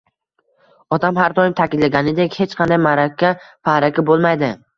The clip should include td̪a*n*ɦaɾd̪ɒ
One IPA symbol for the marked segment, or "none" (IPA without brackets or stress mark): m